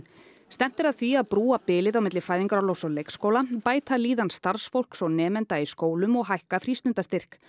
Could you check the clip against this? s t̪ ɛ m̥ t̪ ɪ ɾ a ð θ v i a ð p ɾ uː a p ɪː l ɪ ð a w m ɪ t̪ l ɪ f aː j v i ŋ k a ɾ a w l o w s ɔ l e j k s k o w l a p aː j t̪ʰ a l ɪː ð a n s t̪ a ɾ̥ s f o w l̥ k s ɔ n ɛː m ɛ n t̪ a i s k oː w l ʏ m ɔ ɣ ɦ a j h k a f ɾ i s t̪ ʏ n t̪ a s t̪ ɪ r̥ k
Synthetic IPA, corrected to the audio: s t̪ ɛ m̥ t̪ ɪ ɾ a ð θ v i a ð p ɾ uː a p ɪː l ɪ ð a w m ɪ t̪ l ɪ f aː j ð i ŋ k a ɾ a w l o w s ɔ l e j k s k o w l a p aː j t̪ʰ a l iː ð a n s t̪ a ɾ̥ s f o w l̥ k s ɔ n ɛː m ɛ n t̪ a i s k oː w l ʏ m ɔ ɣ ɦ a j h k a f ɾ i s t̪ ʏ n t̪ a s t̪ ɪ r̥ k